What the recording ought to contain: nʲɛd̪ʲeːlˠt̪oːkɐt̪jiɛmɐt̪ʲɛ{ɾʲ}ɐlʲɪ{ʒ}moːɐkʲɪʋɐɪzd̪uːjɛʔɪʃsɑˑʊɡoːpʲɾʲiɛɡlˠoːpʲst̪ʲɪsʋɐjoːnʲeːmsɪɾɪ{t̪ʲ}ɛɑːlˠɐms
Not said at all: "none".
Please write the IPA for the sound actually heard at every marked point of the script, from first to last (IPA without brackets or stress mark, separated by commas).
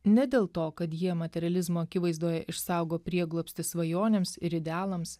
ɾʲ, z, d̪ʲ